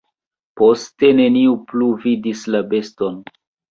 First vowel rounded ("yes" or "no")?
yes